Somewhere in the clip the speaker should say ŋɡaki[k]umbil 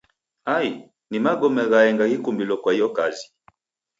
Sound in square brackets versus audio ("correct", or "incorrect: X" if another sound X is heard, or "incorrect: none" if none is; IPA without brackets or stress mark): correct